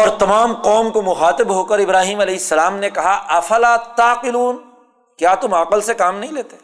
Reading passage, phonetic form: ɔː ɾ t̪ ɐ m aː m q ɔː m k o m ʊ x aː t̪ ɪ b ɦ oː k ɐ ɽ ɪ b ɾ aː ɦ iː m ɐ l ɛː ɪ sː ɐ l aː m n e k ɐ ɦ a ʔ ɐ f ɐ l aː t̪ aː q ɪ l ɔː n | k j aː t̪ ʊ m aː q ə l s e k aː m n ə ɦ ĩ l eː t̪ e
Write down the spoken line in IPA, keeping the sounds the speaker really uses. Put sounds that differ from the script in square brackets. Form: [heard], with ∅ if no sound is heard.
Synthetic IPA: ɔː ɾ t̪ ɐ m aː m q ɔː m k o m ʊ x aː t̪ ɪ b ɦ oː k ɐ [ɾ] ɪ b ɾ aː ɦ iː m ɐ l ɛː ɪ sː ɐ l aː m n e k ɐ ɦ a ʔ ɐ f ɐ l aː t̪ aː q ɪ l [uː] n | k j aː t̪ ʊ m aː q ə l s e k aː m n [ɐ] ɦ ĩ l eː t̪ e